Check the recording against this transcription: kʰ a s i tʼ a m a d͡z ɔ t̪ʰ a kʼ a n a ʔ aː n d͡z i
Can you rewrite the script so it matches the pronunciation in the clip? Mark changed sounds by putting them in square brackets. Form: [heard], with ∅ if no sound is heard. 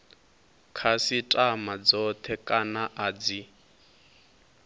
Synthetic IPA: kʰ a s i tʼ a m a d͡z ɔ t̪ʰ [ɛ] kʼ a n a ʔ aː [∅] d͡z i

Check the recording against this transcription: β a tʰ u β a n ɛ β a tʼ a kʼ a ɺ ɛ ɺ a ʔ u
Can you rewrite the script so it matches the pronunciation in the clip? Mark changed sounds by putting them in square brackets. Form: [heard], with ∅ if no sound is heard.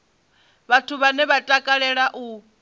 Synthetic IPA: β a tʰ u β a n ɛ β a tʼ a kʼ a ɺ ɛ ɺ a ʔ u

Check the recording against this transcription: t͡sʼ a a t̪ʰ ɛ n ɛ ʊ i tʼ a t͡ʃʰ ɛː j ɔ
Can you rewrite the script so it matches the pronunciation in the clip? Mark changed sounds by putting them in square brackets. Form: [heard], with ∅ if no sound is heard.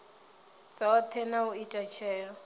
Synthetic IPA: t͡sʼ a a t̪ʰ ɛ n [a] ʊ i tʼ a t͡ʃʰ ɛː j ɔ

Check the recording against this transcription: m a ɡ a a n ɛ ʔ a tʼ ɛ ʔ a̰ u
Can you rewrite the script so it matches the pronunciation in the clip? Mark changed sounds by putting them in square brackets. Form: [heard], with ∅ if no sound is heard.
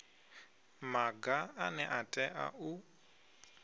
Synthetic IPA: m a ɡ a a n ɛ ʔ a tʼ ɛ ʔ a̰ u

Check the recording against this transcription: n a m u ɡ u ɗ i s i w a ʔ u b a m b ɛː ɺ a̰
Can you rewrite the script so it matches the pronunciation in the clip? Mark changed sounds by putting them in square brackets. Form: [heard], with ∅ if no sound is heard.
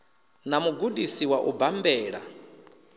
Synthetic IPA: n a m u ɡ u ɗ i s i w a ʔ u b a m b ɛː ɺ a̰

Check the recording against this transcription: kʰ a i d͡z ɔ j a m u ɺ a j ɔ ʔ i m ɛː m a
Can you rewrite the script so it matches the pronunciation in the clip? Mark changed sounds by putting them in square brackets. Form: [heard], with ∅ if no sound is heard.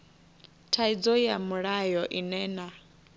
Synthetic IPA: [tʰ] a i d͡z ɔ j a m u ɺ a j ɔ ʔ i [n] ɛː [n] a

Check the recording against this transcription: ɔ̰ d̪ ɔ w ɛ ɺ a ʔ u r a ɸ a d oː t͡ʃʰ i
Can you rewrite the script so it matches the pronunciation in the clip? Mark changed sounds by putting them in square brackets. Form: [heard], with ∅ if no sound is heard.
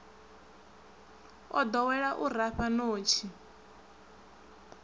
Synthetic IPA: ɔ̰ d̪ ɔ w ɛ ɺ a ʔ u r a ɸ a [n] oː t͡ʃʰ i

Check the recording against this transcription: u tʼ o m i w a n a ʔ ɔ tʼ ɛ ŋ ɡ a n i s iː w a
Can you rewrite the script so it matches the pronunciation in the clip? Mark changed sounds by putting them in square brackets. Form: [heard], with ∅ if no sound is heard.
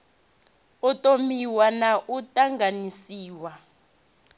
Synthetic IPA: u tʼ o m i w a n a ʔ [u] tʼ [a] ŋ ɡ a n i s iː w a

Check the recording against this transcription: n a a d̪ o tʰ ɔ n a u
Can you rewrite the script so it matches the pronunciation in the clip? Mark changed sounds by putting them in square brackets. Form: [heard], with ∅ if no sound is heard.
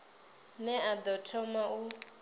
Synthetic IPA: n [ɛ] a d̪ [ɔ] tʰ ɔ [m] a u

